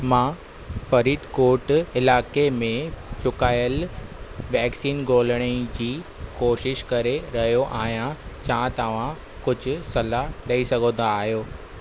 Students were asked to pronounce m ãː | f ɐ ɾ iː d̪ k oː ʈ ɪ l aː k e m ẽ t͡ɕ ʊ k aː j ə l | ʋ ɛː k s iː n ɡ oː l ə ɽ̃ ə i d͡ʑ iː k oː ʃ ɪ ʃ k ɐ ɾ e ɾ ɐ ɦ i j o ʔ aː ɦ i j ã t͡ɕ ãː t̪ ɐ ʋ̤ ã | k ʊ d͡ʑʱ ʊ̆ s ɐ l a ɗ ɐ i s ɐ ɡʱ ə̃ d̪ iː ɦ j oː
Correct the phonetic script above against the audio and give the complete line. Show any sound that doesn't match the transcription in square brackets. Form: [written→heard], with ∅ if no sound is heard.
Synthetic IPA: m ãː | f ɐ ɾ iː d̪ k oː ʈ ɪ l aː k e m ẽ t͡ɕ ʊ k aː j ə l | ʋ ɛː k s iː n ɡ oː l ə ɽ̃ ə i d͡ʑ iː k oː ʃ ɪ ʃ k ɐ ɾ e ɾ ɐ ɦ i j o ʔ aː ɦ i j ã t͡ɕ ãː t̪ ɐ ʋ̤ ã | k ʊ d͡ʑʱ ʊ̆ s ɐ l a ɗ ɐ i s ɐ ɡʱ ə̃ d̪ [iː→aː] ɦ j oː